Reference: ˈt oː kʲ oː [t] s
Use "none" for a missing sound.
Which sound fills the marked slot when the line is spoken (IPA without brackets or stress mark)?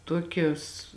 none